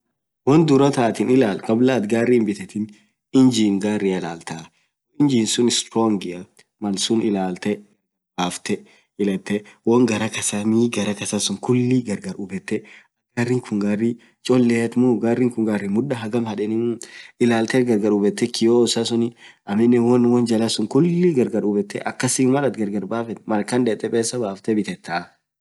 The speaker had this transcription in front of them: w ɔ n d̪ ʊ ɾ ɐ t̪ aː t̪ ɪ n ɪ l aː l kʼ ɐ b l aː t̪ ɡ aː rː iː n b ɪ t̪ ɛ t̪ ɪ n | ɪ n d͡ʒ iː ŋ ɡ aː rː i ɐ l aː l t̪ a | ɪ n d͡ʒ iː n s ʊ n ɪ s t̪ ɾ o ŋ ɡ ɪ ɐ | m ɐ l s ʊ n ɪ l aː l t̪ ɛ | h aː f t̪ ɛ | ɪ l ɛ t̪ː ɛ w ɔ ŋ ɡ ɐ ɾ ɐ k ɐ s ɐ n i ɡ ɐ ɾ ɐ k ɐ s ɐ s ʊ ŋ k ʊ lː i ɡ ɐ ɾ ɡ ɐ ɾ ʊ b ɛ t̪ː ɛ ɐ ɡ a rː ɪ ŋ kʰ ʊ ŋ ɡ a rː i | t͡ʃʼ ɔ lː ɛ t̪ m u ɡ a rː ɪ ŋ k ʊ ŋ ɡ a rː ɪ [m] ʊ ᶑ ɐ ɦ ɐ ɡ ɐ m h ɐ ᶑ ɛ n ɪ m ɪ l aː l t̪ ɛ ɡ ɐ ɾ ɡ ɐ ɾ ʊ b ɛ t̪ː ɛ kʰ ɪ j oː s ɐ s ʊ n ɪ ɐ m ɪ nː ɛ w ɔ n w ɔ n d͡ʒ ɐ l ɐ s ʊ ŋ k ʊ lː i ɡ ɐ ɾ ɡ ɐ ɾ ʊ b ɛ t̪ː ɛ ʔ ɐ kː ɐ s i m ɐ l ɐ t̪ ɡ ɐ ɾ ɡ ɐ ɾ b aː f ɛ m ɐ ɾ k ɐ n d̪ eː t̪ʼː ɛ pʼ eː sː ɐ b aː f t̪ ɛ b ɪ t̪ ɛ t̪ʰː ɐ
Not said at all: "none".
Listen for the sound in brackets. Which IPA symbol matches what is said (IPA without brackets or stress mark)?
m